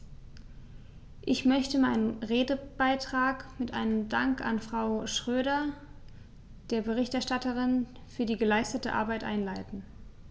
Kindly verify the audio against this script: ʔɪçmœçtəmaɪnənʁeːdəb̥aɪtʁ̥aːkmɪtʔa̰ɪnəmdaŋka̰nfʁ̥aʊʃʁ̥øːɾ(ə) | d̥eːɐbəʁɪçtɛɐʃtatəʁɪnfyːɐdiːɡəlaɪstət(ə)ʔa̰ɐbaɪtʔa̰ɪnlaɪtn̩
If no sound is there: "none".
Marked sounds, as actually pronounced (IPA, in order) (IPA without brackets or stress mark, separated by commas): ɐ, ə